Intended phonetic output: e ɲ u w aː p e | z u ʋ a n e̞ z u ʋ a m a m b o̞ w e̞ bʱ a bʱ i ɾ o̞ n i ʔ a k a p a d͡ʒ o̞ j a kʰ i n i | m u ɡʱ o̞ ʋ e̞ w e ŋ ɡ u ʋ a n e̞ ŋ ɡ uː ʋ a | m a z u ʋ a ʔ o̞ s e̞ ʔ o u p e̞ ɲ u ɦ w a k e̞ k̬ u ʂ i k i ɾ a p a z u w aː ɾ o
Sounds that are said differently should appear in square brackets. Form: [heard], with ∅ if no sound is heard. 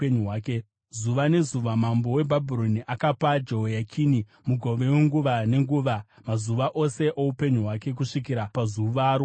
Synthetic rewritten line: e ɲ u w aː [k] e | z u ʋ a n e̞ z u ʋ a m a m b o̞ w e̞ bʱ a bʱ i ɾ o̞ n i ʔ a k a p a d͡ʒ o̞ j a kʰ i n i | m u ɡʱ o̞ ʋ e̞ w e ŋ ɡ u ʋ a n e̞ ŋ ɡ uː ʋ a | m a z u ʋ a ʔ o̞ s e̞ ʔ o u p e̞ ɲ u ɦ w a k e̞ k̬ u ʂ i k i ɾ a p a z u [ʋ] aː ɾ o